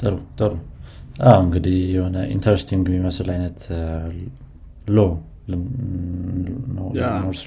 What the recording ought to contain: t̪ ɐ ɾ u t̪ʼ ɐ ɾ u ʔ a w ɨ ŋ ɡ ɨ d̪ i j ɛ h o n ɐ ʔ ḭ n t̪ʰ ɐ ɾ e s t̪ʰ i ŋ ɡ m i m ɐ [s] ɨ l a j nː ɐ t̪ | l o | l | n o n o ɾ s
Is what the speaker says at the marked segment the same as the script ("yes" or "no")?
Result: yes